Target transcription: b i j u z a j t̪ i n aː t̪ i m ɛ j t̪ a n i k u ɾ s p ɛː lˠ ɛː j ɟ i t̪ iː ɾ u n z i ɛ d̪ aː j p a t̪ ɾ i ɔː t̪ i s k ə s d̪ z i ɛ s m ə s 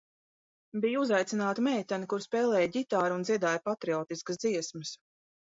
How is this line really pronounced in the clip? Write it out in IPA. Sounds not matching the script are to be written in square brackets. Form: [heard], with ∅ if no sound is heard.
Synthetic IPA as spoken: b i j u z a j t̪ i n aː t̪ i m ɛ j t̪ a n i k u ɾ s p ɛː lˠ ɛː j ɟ i t̪ [aː] ɾ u n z i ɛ d̪ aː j p a t̪ ɾ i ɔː t̪ i s k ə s d̪ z i ɛ s m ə s